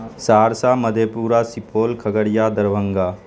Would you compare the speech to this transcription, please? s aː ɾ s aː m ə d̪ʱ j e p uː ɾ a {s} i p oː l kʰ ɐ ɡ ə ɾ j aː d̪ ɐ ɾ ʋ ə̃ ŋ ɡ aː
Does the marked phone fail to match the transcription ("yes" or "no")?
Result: no